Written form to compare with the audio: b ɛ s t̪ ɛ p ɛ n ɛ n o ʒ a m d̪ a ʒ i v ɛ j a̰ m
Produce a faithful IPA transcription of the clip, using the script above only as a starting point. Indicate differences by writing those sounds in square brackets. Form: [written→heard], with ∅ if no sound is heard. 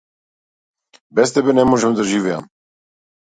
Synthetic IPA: b ɛ s t̪ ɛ [p→b] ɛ n ɛ [n→m] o ʒ [a→ɛ] m d̪ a ʒ i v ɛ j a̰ m

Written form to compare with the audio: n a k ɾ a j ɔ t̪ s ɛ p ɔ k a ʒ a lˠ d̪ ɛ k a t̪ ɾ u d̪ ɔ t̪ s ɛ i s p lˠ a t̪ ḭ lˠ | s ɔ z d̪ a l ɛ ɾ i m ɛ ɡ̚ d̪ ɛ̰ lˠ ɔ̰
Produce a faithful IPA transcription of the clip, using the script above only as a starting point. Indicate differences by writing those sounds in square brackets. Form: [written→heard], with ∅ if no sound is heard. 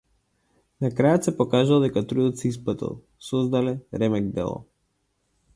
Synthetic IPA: n a k ɾ a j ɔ t̪ s ɛ p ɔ k a ʒ a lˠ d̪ ɛ k a t̪ ɾ u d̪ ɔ t̪ s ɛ i s p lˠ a t̪ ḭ lˠ | s ɔ z d̪ a l ɛ ɾ [i→ɛ] m ɛ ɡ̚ d̪ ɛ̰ lˠ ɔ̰

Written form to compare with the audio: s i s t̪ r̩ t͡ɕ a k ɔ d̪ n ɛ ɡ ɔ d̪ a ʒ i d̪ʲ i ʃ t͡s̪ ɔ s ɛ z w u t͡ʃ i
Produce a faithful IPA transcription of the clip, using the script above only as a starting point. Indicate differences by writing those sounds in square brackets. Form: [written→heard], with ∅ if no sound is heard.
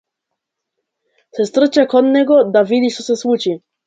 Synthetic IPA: s [i→ɛ] s t̪ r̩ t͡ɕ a k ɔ d̪ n ɛ ɡ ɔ d̪ a [ʒ→v] i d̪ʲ i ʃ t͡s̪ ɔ s ɛ [z→s] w u t͡ʃ i

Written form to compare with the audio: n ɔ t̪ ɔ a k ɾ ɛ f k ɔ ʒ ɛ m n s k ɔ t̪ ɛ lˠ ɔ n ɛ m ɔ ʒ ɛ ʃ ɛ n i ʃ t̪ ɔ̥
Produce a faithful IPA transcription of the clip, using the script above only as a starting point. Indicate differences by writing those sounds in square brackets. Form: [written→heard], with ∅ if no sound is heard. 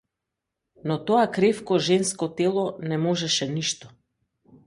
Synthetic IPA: n ɔ t̪ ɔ a k ɾ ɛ f k ɔ ʒ ɛ [m→∅] n s k ɔ t̪ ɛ lˠ ɔ n ɛ m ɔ ʒ ɛ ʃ ɛ n i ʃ t̪ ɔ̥

